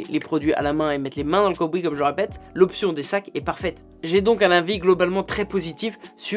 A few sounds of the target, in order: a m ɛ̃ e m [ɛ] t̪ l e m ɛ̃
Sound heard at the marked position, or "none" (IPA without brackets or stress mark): ɛ